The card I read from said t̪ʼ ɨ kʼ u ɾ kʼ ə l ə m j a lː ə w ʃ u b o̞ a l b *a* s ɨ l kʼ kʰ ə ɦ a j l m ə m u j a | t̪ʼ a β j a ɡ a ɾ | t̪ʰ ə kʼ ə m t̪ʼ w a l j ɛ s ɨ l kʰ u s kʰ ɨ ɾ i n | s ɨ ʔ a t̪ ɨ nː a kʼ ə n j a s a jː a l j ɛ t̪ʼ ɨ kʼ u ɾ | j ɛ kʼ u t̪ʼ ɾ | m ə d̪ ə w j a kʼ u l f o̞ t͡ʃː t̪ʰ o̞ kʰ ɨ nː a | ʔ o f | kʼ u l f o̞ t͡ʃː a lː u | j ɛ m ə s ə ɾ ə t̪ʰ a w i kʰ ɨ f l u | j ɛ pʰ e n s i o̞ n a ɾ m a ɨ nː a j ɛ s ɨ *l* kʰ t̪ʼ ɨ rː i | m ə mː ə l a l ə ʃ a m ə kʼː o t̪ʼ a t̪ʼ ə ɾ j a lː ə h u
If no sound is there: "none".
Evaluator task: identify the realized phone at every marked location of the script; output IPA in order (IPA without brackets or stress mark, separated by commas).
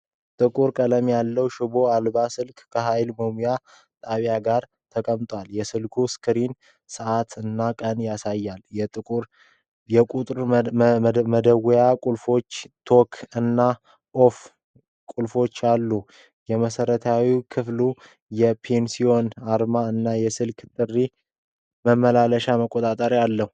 a, l